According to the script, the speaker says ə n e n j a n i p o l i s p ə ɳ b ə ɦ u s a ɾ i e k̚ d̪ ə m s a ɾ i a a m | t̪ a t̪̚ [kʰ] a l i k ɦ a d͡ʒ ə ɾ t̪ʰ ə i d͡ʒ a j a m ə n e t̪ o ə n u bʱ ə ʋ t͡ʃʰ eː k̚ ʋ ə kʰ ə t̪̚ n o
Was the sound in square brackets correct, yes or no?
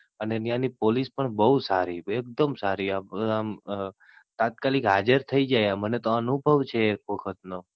no